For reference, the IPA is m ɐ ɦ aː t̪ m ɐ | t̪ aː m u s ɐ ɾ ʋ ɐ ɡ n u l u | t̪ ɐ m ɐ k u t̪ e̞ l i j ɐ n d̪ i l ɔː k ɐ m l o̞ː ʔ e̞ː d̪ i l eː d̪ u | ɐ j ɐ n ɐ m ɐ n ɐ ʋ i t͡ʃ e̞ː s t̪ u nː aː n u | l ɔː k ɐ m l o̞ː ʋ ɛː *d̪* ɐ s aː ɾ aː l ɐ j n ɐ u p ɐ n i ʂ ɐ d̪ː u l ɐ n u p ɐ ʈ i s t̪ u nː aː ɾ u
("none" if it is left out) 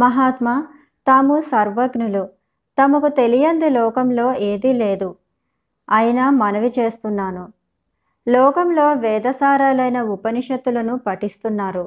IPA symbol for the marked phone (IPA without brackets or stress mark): d̪